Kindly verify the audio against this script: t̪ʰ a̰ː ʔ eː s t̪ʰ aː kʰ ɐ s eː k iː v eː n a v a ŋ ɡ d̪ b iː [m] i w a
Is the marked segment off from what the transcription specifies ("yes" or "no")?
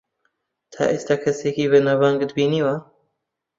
yes